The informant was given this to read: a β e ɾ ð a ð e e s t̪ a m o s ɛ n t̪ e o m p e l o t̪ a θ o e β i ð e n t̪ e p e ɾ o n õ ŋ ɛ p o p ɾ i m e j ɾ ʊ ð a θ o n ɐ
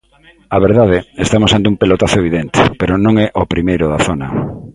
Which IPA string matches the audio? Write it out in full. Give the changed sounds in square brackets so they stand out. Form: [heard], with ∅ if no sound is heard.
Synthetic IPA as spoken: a β e ɾ ð a ð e e s t̪ a m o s [a] n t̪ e [u] m p e l o t̪ a θ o e β i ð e n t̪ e p e ɾ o n õ ŋ ɛ [ʔ] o p ɾ i m e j ɾ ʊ ð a θ o n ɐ